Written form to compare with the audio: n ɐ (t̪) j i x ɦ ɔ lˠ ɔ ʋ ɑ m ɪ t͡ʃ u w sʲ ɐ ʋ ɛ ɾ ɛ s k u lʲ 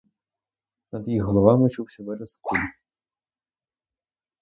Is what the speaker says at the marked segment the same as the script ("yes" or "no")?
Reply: no